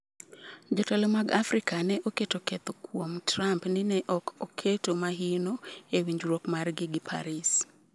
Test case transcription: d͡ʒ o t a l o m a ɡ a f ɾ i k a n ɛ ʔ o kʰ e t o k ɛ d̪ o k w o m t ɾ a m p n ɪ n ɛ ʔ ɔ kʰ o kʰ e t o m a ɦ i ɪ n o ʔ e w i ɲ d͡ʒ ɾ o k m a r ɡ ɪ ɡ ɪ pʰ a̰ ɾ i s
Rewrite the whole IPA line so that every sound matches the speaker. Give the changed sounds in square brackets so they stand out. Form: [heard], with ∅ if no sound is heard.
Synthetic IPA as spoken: d͡ʒ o t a l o m a ɡ a f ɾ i k a n ɛ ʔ o [k] e t o k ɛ [t̪] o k w o m t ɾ a m p n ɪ n ɛ ʔ ɔ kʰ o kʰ e t o m a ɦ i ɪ n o [∅] e w i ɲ d͡ʒ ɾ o k m a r ɡ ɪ ɡ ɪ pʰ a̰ ɾ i s